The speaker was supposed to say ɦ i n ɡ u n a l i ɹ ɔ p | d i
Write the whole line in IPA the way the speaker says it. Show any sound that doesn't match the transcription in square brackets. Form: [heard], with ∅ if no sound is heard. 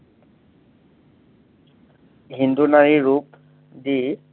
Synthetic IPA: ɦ i n [d] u n a [ɹ] i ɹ [u] p | d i